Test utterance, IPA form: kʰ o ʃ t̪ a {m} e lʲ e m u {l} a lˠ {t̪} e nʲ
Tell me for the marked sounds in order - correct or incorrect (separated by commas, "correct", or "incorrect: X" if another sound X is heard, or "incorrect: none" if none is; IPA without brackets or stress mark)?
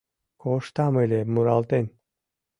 correct, incorrect: ɾ, correct